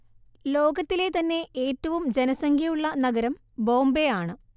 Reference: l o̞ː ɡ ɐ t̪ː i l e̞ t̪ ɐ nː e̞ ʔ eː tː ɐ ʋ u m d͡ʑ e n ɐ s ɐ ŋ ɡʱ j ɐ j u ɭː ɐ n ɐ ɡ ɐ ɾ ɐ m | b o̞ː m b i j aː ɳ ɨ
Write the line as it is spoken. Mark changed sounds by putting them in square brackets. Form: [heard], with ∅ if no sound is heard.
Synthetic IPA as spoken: l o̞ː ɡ ɐ t̪ː i l e̞ t̪ ɐ nː e̞ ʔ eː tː ɐ ʋ u m d͡ʑ e n ɐ s ɐ ŋ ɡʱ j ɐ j u ɭː ɐ n ɐ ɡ ɐ ɾ ɐ m | b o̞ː m b [e] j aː ɳ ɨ